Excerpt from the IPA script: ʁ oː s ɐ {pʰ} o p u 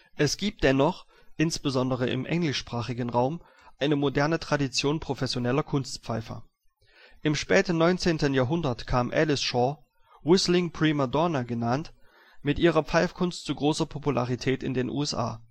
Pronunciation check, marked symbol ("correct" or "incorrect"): correct